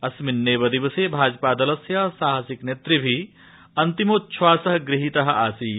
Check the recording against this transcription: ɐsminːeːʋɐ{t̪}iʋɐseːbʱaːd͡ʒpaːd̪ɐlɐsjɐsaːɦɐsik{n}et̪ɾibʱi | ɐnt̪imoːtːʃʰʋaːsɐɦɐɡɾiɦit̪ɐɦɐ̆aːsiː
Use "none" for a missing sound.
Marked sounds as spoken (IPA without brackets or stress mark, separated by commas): d̪, n